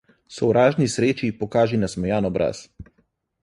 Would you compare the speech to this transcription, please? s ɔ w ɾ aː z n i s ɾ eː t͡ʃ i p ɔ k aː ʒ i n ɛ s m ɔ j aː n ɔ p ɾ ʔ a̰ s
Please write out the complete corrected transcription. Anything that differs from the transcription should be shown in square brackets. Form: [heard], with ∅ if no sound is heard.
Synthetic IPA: s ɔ w ɾ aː [ʒ] n i s ɾ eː t͡ʃ i p ɔ k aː ʒ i n [a] s m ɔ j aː n ɔ [b] ɾ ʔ a̰ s